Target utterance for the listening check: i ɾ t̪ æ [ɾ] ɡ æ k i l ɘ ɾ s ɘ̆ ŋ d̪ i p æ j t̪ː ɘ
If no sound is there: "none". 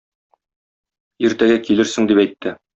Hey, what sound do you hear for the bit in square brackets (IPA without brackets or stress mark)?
none